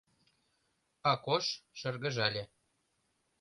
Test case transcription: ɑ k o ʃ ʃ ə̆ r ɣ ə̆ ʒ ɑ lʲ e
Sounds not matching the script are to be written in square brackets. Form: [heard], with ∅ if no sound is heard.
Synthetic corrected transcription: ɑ k o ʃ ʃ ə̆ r ɣ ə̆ ʒ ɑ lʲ e